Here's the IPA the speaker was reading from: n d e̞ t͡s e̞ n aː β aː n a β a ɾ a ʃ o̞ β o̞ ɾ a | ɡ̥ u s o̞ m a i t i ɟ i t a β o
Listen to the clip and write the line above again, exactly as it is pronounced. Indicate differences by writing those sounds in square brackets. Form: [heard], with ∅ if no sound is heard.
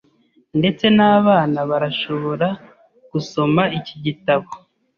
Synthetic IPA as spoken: n d e̞ t͡s e̞ n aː β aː n a β a ɾ a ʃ o̞ β o̞ ɾ a | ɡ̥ u s o̞ m a i [c] i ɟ i t a β o